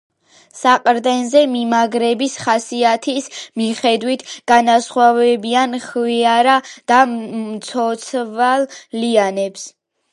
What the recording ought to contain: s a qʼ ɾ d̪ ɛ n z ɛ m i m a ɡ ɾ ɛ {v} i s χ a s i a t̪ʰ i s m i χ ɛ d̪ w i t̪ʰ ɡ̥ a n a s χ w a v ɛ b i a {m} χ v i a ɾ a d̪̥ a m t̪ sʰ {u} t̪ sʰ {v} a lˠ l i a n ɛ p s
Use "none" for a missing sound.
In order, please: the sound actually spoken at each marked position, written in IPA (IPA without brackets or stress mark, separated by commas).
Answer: b, n, ɔ, v